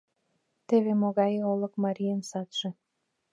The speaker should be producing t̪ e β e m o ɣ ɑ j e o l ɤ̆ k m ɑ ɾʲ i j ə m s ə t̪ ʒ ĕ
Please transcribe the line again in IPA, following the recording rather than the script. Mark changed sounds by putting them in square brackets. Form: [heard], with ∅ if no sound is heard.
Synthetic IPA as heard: t̪ e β e m o ɣ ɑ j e o l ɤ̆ k m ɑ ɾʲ i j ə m s [ɑ] t̪ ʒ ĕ